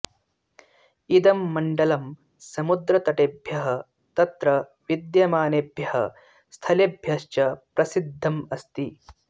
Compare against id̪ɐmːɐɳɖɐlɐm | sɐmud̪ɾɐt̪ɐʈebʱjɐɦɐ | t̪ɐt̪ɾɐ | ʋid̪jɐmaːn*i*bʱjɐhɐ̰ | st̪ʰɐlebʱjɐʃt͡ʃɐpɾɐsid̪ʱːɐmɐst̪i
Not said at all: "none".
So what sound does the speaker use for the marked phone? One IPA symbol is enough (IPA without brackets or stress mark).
e